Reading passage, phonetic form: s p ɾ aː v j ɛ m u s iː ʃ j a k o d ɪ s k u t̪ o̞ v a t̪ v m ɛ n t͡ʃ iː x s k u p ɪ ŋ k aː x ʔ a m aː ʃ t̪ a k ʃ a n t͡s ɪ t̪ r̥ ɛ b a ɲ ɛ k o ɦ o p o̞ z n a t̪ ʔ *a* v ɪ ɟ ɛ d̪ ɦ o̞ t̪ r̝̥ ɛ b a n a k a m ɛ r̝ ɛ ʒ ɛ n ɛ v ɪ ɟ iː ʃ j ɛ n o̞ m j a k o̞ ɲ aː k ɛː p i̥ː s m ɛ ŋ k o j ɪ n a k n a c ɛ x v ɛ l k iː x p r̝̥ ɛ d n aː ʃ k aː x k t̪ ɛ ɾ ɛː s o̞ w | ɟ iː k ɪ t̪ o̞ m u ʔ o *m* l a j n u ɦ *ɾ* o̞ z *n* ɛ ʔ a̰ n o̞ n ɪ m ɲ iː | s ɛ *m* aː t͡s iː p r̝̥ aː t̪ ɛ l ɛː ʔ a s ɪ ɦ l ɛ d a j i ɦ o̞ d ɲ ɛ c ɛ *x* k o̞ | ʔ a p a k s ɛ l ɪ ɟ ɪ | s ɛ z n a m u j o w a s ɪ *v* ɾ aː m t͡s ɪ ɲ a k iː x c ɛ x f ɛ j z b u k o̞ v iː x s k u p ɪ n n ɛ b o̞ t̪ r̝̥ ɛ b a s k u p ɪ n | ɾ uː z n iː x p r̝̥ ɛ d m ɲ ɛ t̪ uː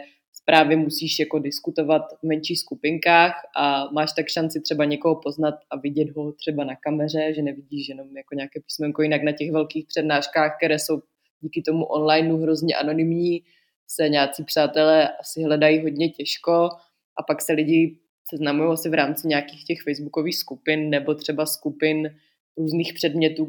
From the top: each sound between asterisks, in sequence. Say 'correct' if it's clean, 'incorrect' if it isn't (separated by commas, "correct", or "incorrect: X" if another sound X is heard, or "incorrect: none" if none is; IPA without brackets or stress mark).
correct, incorrect: n, correct, incorrect: ɲ, incorrect: ɲ, incorrect: ʃ, correct